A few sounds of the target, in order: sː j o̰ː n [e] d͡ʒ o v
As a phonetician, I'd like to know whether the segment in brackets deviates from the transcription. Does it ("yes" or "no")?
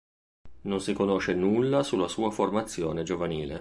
no